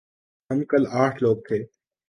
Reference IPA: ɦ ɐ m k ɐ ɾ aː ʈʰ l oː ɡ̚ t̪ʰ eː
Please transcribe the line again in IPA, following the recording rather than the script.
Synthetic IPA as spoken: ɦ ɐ m k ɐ l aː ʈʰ l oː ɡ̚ t̪ʰ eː